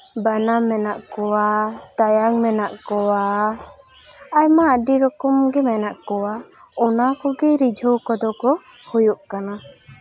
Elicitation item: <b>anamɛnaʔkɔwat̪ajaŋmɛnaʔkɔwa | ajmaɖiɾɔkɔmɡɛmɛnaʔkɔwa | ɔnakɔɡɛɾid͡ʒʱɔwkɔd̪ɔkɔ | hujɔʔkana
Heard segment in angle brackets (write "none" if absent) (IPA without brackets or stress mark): b